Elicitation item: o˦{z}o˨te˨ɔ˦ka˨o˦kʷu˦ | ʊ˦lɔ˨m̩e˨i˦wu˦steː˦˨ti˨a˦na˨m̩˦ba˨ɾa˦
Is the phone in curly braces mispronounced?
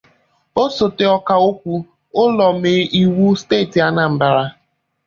yes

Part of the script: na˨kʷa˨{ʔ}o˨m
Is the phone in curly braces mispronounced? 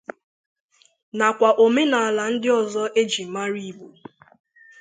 no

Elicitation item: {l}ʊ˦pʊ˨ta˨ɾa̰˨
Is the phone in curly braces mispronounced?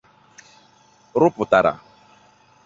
yes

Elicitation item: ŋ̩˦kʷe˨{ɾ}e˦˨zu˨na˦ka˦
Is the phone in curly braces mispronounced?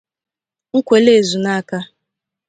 yes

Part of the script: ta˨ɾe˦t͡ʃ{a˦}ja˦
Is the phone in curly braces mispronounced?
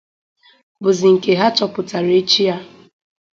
yes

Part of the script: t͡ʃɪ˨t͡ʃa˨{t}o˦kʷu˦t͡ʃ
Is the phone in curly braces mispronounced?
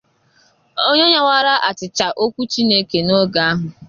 yes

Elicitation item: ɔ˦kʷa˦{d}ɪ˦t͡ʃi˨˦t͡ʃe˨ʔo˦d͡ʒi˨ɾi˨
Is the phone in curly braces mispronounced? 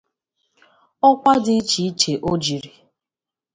no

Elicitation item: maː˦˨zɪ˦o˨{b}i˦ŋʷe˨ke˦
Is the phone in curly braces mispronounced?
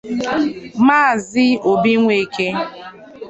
no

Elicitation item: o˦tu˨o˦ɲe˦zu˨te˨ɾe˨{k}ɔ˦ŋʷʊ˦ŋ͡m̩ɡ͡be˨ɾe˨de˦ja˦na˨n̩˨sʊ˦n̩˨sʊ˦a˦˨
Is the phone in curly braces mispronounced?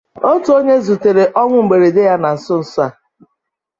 yes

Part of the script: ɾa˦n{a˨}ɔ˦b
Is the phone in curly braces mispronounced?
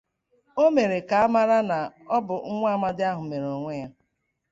no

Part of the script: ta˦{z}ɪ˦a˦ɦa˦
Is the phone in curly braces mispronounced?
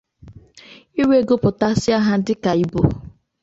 yes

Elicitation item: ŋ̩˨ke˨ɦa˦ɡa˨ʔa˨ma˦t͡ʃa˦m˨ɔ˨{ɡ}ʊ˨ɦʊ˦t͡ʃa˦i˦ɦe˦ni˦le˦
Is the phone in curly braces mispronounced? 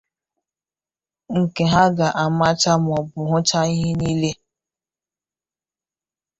yes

